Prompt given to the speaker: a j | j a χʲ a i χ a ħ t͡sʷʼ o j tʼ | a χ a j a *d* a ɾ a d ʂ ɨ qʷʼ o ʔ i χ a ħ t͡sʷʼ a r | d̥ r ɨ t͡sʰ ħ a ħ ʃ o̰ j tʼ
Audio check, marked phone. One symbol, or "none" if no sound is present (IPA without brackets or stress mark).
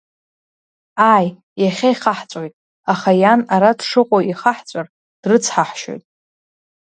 n